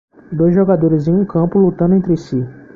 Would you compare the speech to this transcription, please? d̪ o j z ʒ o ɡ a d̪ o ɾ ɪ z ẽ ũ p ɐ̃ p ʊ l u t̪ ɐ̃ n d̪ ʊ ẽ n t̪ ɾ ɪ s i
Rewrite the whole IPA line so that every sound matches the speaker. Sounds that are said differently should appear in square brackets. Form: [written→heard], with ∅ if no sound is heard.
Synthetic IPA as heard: d̪ o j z ʒ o ɡ a d̪ o ɾ ɪ z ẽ ũ [p→k] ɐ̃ p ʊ l u t̪ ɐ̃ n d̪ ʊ ẽ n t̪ ɾ ɪ s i

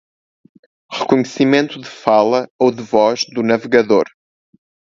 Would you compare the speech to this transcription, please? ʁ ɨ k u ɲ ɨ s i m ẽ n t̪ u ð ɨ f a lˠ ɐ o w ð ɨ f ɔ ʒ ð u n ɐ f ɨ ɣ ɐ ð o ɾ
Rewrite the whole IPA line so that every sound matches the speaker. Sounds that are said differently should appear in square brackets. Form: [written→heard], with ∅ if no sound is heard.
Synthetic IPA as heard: ʁ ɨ k u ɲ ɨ s i m ẽ n t̪ u ð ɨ f a lˠ ɐ o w ð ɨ [f→v] ɔ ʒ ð u n ɐ [f→v] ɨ ɣ ɐ ð o ɾ

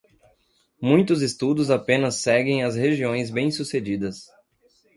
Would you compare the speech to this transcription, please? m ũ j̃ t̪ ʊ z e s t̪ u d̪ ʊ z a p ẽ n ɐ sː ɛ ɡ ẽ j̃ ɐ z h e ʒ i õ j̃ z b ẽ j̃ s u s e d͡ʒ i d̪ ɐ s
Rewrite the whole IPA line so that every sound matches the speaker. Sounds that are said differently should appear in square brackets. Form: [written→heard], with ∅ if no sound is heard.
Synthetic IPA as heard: m ũ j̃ t̪ ʊ z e s t̪ u d̪ ʊ z a p ẽ n ɐ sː ɛ ɡ ẽ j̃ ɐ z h e ʒ i õ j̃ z b ẽ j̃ s u s e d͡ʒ i d̪ ɐ s

